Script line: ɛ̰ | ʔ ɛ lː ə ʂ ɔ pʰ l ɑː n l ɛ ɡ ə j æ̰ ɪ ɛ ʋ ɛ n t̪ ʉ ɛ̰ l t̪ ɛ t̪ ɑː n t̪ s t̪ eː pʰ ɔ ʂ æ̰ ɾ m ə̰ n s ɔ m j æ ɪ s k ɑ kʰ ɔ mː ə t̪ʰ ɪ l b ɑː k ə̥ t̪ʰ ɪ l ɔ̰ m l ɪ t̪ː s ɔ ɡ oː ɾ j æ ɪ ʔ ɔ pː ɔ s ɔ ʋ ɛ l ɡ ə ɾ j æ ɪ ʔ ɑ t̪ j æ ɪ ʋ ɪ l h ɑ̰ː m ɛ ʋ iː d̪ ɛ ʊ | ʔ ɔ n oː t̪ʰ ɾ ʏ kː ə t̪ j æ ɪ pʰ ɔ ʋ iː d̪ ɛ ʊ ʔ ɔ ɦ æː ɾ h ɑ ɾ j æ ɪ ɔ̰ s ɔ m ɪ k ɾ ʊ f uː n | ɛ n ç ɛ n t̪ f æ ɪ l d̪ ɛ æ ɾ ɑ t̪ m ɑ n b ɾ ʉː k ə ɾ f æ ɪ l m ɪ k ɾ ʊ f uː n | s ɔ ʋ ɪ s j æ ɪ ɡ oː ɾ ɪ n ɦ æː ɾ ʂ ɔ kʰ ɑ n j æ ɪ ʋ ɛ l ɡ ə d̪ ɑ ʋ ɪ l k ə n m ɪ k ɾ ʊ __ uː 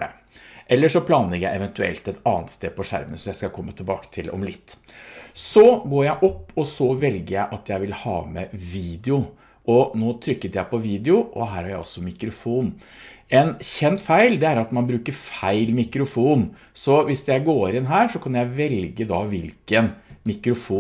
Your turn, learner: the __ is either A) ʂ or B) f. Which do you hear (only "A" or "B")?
B